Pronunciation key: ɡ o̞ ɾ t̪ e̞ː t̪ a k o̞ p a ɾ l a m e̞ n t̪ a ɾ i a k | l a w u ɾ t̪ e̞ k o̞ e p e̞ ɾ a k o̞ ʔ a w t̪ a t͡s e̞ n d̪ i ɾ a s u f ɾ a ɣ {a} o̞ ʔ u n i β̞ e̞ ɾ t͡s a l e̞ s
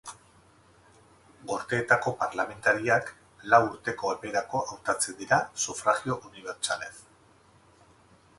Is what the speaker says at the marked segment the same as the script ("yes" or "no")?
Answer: no